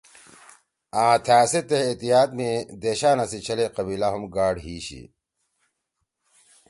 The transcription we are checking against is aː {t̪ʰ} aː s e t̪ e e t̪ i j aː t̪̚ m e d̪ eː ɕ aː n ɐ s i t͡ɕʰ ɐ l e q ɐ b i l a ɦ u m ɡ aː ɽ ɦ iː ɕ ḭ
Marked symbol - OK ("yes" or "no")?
yes